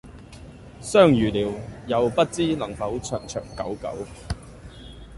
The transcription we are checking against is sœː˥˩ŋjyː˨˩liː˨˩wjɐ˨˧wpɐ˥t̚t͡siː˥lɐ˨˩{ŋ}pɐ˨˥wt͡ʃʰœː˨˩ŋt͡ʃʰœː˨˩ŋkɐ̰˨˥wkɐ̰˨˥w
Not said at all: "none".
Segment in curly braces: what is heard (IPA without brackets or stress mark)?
ŋ